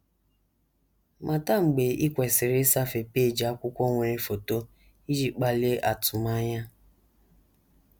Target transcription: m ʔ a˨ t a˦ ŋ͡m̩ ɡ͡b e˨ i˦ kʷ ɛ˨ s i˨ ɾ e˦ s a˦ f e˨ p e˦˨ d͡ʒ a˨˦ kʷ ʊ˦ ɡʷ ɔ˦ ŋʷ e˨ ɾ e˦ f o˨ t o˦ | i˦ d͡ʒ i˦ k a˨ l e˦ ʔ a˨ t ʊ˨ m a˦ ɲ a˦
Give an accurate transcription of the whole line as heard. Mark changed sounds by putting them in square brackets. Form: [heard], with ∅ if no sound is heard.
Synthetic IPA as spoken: m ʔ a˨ t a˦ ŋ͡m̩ ɡ͡b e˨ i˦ kʷ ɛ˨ s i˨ ɾ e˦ s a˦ f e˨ p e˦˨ d͡ʒ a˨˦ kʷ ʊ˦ [kʷ] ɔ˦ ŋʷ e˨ ɾ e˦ f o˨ t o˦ | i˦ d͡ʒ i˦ [k͡p] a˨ l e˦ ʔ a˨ t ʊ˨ m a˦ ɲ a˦